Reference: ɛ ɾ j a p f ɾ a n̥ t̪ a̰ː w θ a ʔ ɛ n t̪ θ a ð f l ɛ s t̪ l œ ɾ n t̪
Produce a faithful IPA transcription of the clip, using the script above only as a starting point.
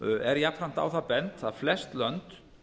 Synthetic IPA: ɛ ɾ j a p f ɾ a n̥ t̪ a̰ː w θ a p ɛ n t̪ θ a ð f l ɛ s t̪ l œ n t̪